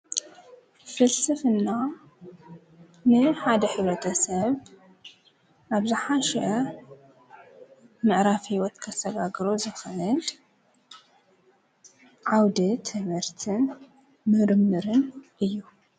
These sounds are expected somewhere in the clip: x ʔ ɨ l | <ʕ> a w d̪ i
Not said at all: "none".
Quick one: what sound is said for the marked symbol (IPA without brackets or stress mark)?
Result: ʕ